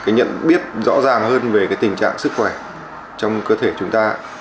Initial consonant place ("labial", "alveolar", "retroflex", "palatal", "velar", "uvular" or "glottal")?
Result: velar